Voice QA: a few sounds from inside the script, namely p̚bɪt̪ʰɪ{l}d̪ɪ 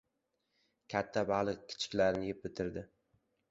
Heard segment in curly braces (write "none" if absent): ɾ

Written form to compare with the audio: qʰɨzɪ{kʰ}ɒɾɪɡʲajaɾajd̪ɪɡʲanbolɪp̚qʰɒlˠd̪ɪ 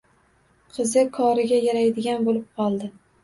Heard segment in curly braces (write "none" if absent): kʰ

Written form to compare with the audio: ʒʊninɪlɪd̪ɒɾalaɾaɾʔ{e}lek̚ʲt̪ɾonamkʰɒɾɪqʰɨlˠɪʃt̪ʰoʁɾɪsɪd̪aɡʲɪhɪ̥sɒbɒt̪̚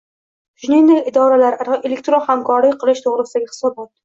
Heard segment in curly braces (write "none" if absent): e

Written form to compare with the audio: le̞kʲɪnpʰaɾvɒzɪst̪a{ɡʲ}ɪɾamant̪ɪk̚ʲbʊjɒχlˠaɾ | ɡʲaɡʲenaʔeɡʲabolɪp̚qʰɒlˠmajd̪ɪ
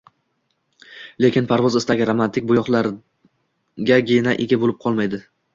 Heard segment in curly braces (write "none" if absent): ɡʲ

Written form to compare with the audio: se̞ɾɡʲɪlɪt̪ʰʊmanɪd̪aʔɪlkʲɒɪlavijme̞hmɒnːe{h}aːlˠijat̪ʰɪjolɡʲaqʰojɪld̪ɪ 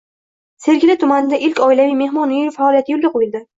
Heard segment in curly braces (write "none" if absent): f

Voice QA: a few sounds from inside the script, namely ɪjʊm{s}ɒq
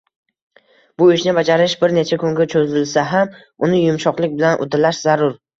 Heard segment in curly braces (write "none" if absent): ʃ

